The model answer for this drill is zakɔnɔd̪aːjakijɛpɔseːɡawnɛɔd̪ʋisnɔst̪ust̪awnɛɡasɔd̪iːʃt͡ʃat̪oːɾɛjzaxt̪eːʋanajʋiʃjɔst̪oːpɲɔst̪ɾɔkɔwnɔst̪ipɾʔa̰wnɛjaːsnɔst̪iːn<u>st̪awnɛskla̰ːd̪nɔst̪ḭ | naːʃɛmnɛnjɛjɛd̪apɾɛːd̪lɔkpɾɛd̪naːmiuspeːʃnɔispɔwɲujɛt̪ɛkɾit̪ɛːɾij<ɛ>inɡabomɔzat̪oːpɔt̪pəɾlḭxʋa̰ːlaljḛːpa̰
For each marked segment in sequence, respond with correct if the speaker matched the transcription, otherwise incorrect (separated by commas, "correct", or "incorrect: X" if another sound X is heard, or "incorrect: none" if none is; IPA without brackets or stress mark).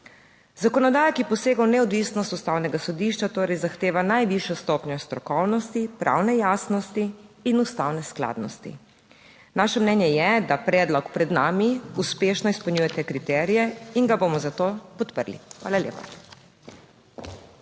correct, correct